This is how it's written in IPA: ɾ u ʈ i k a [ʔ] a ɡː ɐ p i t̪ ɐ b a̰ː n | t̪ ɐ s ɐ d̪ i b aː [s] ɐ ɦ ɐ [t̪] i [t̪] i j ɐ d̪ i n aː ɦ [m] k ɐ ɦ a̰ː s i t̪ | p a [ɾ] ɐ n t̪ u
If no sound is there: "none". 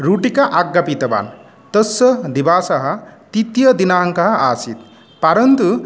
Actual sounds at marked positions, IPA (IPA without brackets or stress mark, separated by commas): ʔ, s, t̪, t̪, ŋ, ɾ